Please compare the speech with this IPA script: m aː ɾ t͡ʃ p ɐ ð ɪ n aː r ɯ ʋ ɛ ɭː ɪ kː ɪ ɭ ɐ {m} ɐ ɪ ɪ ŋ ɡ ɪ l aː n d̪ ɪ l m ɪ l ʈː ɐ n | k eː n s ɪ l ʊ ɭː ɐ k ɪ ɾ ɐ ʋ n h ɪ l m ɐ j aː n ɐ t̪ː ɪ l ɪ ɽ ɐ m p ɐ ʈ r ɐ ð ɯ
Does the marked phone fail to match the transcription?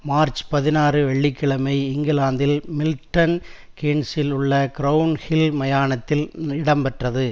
no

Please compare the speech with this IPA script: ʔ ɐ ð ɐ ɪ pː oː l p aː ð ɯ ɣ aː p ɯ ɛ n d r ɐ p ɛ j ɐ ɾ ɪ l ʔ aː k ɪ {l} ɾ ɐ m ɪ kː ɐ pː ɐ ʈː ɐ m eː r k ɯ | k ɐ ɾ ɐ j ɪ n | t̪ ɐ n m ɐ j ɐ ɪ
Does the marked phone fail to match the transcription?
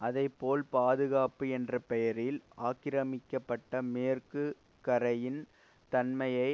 yes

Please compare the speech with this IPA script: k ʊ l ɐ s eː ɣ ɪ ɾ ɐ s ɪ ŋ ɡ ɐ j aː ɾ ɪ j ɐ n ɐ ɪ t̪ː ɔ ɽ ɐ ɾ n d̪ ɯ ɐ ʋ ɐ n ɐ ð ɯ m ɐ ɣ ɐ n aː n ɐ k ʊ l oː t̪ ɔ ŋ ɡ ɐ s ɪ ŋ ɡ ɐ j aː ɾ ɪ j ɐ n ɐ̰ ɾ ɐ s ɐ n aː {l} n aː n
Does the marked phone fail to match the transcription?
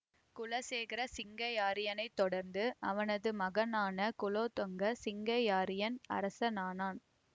yes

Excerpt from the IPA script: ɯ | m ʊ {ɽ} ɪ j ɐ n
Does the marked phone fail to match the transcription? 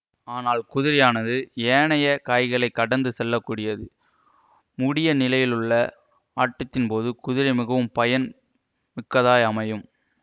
no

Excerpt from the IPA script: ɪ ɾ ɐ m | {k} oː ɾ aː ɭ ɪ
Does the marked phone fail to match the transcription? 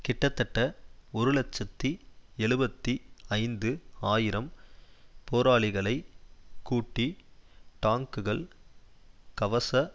yes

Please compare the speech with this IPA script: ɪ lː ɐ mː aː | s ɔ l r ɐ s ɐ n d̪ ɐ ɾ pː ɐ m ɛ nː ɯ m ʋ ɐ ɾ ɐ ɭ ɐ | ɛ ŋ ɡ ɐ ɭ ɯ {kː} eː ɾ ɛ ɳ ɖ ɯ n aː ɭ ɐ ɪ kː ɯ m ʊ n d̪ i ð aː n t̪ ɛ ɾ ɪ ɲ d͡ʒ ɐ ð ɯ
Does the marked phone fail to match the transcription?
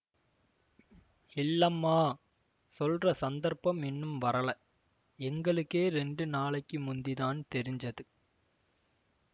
no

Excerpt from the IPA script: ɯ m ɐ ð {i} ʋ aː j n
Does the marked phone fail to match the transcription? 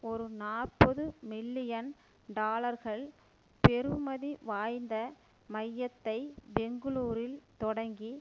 no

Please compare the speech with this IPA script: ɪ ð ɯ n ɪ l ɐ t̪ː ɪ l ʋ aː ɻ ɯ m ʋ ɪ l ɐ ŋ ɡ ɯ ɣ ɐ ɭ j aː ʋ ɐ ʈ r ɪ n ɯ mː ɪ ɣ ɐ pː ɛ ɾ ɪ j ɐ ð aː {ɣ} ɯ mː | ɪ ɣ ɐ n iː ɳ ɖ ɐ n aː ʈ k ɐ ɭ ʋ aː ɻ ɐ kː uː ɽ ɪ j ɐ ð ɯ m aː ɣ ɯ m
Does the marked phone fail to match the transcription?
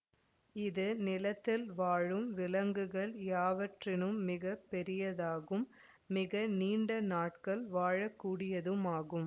no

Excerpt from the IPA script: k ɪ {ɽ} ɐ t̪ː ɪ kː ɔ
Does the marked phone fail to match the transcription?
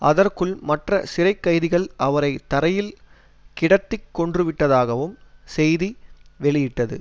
no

